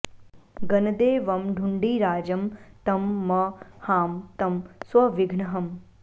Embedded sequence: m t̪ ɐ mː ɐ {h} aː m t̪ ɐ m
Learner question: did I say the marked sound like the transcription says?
yes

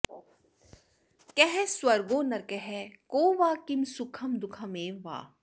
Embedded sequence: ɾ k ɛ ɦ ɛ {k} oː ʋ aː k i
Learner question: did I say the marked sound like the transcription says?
yes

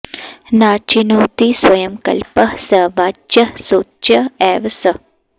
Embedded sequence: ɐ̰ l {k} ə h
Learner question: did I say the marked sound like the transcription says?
no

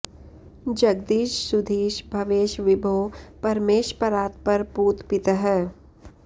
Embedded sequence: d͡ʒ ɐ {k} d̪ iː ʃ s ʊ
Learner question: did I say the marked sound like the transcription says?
no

